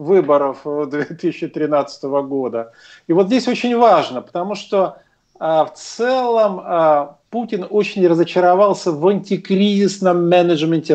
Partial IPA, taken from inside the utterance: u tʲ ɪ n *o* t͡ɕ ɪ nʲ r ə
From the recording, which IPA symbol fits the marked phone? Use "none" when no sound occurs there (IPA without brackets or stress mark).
o